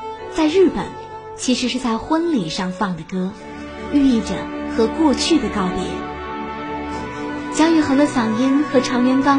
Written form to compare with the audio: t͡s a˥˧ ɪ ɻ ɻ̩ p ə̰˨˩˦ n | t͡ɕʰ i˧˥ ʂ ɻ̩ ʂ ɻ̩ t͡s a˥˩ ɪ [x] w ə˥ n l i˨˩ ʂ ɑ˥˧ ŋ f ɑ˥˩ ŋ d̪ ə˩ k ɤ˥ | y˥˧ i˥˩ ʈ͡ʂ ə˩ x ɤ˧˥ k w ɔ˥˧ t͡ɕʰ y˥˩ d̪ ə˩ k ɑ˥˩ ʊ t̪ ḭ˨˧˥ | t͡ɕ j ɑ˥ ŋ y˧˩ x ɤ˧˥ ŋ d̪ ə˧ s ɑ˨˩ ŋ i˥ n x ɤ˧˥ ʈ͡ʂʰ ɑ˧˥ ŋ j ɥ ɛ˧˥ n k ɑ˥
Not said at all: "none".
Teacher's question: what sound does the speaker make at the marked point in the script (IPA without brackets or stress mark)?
x